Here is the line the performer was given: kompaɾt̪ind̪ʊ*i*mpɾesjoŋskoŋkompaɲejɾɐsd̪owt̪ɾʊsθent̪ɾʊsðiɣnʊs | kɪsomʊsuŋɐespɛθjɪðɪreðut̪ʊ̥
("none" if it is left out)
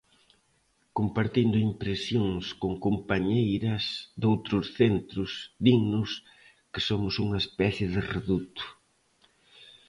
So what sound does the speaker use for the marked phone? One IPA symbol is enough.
i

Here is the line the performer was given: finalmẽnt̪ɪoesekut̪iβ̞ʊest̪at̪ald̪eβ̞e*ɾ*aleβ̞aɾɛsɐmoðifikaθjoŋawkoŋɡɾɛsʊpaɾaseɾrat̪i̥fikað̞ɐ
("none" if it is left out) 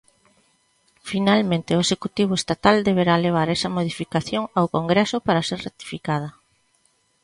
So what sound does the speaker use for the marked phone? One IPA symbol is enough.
ɾ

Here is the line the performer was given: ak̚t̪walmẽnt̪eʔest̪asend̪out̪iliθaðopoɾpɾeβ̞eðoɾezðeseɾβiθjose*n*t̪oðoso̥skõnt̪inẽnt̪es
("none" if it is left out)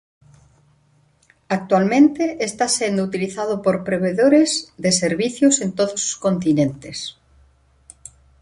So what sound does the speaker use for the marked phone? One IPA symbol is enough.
n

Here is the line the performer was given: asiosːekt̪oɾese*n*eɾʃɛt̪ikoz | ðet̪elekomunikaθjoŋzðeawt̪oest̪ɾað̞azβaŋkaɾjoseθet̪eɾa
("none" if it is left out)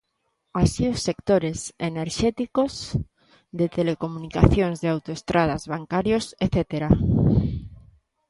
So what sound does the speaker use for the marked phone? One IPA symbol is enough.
n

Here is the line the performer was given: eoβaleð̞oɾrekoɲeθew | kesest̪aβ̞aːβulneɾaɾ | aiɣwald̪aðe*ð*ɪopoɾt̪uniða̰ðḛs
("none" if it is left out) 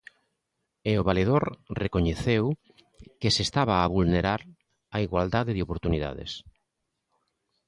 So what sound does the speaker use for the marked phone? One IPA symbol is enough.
ð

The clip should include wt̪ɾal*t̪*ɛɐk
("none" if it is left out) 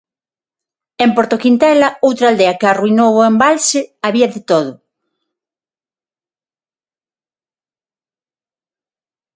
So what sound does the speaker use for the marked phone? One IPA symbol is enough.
d̪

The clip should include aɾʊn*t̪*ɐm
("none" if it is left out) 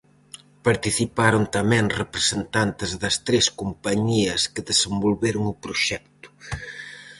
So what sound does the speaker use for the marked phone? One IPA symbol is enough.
t̪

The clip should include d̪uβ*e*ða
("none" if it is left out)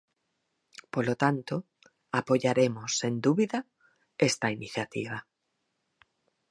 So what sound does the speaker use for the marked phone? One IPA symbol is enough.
i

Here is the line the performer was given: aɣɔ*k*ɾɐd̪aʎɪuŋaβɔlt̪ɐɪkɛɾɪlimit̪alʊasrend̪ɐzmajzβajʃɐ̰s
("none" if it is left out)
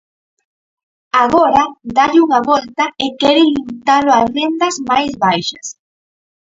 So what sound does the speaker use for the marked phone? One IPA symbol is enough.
none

